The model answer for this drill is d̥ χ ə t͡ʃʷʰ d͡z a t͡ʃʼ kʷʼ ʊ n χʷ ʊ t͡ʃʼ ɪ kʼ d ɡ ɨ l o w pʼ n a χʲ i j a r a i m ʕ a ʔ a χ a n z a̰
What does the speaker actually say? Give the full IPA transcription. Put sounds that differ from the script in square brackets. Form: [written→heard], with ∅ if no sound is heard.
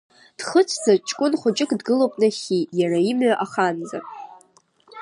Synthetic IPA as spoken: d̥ χ ə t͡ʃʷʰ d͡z a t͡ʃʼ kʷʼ ʊ n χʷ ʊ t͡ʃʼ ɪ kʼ d ɡ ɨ l o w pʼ n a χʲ i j a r a i m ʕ a ʔ a χ a n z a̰